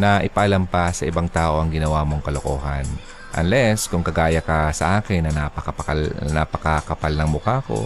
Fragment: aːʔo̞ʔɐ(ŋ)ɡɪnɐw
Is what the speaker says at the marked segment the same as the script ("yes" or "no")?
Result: yes